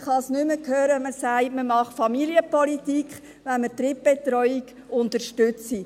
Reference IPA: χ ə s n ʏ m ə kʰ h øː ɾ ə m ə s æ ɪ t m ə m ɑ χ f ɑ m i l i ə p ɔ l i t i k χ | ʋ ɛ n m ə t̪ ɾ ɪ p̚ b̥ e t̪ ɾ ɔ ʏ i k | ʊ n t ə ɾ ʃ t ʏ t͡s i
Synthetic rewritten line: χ ɑ s n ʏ m ə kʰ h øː ɾ ə m ə s æ ɪ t m ə m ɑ χ f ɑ m i l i ə p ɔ l i t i k χ | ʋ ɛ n m ə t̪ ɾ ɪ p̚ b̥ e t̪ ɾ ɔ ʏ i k | ʊ n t ə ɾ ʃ t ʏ t͡s i